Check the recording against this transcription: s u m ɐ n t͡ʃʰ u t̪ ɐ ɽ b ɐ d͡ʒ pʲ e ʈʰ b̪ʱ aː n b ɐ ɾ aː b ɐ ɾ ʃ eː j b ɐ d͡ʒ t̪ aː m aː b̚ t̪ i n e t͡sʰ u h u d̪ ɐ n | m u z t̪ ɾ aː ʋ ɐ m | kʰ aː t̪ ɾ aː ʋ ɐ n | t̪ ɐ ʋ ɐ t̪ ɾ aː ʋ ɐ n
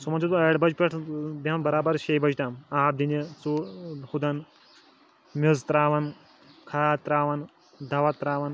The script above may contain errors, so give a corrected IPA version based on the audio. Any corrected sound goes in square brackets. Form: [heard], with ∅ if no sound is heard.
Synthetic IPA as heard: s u m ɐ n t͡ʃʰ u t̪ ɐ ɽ b ɐ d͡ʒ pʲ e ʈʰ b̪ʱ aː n b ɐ ɾ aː b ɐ ɾ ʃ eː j b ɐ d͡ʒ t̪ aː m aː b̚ [d̪] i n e [t͡s] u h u d̪ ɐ n | m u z t̪ ɾ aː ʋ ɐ [n] | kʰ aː t̪ ɾ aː ʋ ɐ n | [d̪] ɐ ʋ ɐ t̪ ɾ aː ʋ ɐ n